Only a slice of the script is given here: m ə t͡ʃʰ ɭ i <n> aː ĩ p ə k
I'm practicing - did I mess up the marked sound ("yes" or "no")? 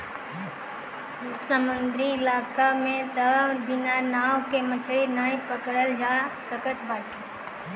no